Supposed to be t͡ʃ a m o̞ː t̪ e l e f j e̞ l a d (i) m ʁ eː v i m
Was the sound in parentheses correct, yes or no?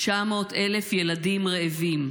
yes